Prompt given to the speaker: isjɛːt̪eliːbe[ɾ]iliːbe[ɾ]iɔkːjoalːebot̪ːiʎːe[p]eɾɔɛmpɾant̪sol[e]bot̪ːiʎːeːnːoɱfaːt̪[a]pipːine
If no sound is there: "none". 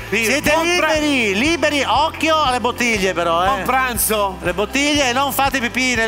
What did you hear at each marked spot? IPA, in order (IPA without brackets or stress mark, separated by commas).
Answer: ɾ, ɾ, p, e, e